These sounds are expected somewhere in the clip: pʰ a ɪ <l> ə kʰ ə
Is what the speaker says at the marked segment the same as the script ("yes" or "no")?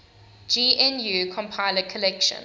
yes